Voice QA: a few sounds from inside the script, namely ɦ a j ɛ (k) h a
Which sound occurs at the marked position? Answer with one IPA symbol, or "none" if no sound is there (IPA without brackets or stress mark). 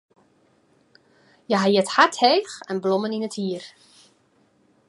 t